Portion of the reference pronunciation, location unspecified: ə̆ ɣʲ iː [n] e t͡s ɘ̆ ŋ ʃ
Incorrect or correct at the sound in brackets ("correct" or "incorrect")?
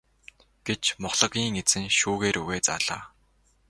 incorrect